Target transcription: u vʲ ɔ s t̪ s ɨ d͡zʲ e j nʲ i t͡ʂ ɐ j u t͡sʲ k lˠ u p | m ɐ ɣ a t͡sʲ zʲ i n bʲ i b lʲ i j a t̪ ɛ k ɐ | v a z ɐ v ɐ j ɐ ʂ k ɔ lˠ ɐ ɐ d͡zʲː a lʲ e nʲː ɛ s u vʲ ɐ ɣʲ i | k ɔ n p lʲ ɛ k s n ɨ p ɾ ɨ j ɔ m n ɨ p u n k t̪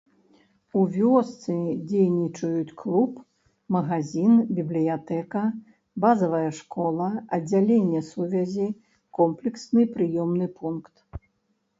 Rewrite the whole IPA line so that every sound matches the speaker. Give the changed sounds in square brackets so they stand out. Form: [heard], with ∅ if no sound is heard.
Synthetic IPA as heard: u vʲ ɔ s t̪ s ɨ d͡zʲ e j nʲ i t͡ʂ ɐ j u t͡sʲ k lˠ u p | m ɐ ɣ a [∅] zʲ i n bʲ i b lʲ i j a t̪ ɛ k ɐ | [b] a z ɐ v ɐ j ɐ ʂ k ɔ lˠ ɐ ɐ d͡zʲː a lʲ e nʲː ɛ s u vʲ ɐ [zʲ] i | k ɔ [m] p lʲ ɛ k s n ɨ p ɾ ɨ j ɔ m n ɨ p u n k t̪